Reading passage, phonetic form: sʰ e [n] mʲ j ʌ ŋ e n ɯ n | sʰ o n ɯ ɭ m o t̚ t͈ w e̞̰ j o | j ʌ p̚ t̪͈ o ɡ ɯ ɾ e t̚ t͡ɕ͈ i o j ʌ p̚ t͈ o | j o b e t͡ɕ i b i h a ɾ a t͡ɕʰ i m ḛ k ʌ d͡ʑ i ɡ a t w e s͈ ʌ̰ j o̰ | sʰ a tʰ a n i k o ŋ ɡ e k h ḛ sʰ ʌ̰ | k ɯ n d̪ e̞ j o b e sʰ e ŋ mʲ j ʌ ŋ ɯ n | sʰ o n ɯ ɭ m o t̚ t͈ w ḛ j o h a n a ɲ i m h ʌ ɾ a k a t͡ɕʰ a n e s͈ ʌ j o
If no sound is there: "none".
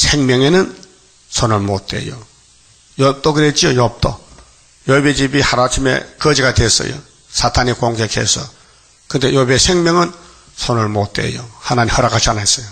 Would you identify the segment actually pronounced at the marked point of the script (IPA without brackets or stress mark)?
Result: ŋ